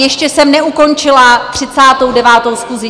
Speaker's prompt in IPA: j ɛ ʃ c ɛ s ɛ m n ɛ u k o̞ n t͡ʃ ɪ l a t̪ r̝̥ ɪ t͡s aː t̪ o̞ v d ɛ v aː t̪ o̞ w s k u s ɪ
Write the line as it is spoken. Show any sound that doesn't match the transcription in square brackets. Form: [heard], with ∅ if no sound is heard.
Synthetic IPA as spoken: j ɛ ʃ c ɛ s ɛ m n ɛ u k o̞ n t͡ʃ ɪ l a t̪ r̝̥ ɪ t͡s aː t̪ o̞ [w] d ɛ v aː t̪ o̞ w s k u [z] ɪ

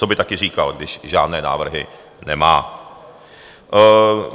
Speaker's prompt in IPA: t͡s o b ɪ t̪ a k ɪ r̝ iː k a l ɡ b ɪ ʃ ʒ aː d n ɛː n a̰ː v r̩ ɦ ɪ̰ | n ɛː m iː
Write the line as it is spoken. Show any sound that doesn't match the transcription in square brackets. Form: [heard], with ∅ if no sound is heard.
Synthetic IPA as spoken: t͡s o b ɪ t̪ a k ɪ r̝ iː k a l ɡ [d] ɪ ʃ ʒ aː d n ɛː n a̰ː v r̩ ɦ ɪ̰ | n [ɛ] m [aː]

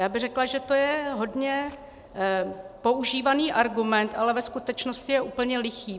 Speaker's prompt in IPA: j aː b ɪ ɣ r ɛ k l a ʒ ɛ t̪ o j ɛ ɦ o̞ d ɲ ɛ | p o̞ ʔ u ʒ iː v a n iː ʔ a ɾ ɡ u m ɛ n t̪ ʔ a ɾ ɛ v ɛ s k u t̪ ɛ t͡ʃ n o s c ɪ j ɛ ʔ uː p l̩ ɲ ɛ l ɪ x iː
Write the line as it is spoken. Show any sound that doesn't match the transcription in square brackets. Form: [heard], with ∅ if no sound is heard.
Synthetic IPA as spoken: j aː b ɪ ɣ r ɛ k l a ʒ ɛ t̪ o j ɛ ɦ o̞ d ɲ ɛ | p o̞ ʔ u ʒ iː v a n iː ʔ a ɾ ɡ u m ɛ n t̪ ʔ a [l] ɛ v ɛ s k u t̪ ɛ t͡ʃ n o s c ɪ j ɛ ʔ uː p l̩ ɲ ɛ l ɪ x iː

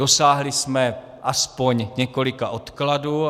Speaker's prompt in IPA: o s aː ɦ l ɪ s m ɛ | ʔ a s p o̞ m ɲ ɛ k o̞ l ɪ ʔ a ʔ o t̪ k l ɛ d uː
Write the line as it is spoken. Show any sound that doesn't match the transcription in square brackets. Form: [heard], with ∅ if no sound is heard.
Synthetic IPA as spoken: o s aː ɦ l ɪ s m ɛ | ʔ a s p o̞ [ɲ] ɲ ɛ k o̞ l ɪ [k] a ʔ o t̪ k l [a] d uː

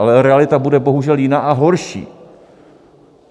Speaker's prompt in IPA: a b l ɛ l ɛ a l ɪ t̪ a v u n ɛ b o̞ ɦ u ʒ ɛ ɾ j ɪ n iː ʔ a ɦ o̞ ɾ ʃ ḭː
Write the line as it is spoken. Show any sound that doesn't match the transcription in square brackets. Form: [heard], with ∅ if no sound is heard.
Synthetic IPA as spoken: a [∅] l ɛ [ɾ] ɛ a l ɪ t̪ a [b] u [d] ɛ b o̞ ɦ u ʒ ɛ [l] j ɪ n [aː] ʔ a ɦ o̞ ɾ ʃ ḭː

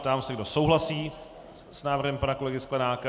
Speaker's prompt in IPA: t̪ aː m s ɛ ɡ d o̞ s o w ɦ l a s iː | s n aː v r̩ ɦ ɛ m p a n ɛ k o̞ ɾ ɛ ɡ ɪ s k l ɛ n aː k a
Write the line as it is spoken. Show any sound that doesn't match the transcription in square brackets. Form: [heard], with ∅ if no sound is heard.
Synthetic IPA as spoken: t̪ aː m s ɛ ɡ d o̞ s o w ɦ l a s iː | s n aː v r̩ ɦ ɛ m p a n [a] k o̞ [l] ɛ ɡ ɪ s k l ɛ n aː k a

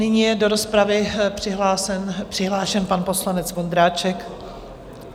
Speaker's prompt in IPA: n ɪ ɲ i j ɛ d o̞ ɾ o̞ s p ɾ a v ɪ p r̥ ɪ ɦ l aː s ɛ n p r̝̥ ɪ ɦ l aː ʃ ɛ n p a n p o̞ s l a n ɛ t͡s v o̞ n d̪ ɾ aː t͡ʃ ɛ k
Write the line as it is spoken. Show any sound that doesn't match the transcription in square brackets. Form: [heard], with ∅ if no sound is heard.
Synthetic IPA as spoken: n ɪ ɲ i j ɛ d o̞ ɾ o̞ s p ɾ a v ɪ p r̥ ɪ ɦ l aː s ɛ n p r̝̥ ɪ ɦ l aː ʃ ɛ n p a n p o̞ s l a n ɛ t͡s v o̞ n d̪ ɾ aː t͡ʃ ɛ k

